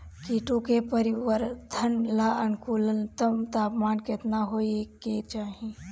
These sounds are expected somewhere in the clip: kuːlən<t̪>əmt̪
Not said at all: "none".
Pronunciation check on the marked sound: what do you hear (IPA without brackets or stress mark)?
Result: t̪